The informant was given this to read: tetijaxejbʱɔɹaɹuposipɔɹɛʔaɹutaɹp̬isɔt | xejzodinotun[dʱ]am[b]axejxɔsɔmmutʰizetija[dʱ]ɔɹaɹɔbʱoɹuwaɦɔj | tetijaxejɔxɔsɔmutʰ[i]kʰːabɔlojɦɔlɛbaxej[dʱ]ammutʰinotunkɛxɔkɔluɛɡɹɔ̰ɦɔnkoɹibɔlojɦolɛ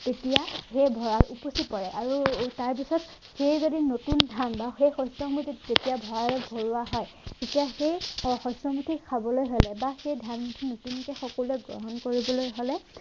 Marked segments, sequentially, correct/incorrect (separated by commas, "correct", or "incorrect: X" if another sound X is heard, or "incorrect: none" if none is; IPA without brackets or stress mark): correct, correct, incorrect: bʱ, correct, correct